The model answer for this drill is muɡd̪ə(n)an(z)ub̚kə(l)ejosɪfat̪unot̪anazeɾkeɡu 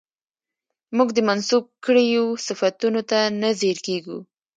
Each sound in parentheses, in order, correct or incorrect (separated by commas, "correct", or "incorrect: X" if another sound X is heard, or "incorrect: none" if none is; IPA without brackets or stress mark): incorrect: m, incorrect: s, incorrect: ɽ